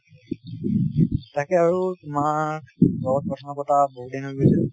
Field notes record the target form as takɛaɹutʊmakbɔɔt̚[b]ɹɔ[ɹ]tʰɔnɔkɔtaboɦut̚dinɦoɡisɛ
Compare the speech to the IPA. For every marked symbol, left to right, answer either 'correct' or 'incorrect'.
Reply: incorrect: p, incorrect: none

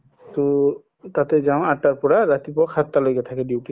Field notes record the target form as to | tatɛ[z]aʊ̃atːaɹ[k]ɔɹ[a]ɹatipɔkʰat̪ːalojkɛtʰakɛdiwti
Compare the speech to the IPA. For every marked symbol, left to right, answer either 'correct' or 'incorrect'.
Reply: correct, incorrect: p, correct

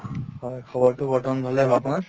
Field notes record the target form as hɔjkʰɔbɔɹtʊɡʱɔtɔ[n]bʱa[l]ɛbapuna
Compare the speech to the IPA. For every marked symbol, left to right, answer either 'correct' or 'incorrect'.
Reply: correct, correct

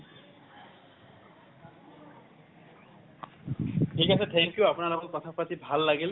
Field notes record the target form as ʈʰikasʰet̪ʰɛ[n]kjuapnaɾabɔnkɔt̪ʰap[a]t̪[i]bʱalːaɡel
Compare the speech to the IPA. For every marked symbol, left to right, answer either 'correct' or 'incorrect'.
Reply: incorrect: ŋ, correct, correct

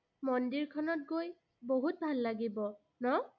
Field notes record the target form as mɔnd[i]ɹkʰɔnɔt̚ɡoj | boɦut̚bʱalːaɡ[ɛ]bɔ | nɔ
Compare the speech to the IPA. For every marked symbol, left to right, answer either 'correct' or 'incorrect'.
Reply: correct, incorrect: i

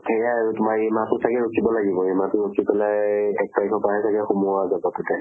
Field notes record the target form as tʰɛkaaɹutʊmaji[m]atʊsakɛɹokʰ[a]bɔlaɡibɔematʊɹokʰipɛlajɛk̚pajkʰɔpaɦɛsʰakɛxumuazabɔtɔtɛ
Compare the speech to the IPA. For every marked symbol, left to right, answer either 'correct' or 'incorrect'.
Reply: correct, incorrect: i

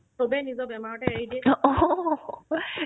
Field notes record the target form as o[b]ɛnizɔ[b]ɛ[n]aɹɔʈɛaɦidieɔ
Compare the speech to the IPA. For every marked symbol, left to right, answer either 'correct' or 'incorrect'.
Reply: correct, correct, incorrect: m

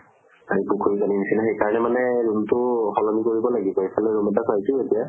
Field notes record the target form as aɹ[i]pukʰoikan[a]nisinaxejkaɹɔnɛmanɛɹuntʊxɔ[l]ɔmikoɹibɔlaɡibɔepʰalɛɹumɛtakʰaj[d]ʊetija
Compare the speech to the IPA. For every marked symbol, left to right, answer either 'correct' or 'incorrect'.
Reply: correct, incorrect: i, correct, incorrect: t

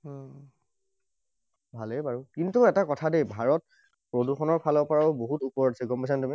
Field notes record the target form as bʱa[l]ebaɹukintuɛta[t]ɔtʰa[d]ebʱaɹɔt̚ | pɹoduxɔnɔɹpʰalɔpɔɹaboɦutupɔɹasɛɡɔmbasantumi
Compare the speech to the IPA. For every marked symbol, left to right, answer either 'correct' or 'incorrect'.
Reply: correct, incorrect: k, correct

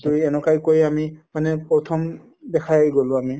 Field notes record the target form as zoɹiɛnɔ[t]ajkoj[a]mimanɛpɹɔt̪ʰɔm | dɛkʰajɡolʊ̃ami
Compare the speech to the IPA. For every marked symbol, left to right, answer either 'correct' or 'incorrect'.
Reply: incorrect: k, correct

